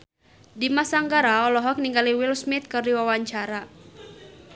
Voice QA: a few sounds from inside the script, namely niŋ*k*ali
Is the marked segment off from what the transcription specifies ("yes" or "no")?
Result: yes